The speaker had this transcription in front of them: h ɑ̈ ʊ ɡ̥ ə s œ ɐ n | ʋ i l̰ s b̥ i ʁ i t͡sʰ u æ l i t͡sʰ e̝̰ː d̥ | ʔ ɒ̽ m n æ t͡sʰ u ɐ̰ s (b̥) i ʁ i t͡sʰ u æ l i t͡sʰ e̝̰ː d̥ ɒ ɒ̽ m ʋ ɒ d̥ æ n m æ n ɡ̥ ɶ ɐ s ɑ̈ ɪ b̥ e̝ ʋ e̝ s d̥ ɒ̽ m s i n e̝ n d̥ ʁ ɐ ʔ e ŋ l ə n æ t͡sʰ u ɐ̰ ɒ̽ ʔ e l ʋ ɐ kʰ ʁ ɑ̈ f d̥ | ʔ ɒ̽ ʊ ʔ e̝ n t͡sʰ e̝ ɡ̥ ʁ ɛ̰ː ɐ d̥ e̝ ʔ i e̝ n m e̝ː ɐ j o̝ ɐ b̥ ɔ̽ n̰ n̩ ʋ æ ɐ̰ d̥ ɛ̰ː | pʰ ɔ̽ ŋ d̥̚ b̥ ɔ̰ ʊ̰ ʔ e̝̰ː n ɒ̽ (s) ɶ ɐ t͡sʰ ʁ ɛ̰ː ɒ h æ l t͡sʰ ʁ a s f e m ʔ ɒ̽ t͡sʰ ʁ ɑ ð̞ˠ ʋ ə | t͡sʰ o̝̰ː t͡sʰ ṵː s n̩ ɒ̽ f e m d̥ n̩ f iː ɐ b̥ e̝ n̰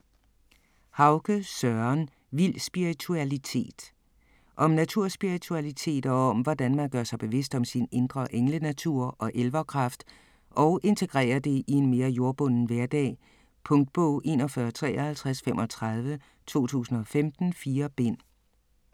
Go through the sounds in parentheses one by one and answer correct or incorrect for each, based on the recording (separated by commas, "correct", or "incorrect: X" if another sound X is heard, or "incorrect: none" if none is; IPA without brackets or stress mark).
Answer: correct, incorrect: f